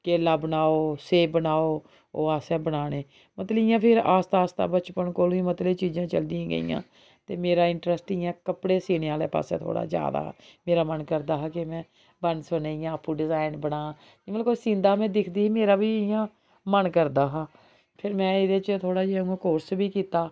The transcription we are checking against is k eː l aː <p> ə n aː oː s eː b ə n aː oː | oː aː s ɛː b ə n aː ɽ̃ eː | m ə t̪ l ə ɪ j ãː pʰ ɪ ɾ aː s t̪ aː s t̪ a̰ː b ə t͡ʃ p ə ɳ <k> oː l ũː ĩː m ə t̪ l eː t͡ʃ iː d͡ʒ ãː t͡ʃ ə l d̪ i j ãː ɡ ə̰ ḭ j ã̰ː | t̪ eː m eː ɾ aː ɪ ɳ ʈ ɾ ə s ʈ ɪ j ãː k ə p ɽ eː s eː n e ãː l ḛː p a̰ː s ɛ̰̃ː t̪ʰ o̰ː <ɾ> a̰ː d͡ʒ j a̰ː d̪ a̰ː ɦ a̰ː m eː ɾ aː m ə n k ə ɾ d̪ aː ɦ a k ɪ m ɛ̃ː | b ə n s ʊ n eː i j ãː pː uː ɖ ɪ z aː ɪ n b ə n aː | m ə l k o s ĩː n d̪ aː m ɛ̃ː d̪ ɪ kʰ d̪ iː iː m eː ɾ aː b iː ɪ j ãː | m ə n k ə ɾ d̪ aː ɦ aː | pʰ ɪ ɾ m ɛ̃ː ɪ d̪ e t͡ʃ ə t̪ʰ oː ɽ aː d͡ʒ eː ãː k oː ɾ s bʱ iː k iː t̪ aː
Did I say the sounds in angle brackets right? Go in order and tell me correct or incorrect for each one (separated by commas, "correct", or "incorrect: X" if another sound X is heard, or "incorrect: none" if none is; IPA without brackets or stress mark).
incorrect: b, correct, incorrect: ɽ